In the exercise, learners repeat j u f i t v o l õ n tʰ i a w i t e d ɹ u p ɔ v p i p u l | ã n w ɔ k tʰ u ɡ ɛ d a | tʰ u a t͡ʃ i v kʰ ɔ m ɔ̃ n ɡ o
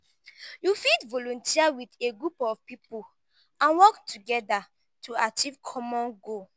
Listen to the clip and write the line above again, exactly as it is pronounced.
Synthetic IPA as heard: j u f i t v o l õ n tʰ i a w i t e ɡ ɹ u p ɔ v p i p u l | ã n w ɔ k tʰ u ɡ ɛ d a | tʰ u a t͡ʃ i v kʰ ɔ m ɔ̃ n ɡ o